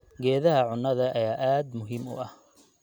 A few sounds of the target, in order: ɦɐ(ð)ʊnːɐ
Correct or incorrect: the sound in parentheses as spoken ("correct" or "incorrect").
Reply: incorrect